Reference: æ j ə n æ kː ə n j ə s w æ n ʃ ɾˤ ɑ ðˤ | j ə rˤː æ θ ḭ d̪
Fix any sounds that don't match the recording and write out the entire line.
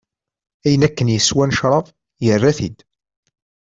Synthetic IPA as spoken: æ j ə n æ kː ə n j ə s w æ n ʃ ɾˤ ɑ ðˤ | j ə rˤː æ θ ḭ d̪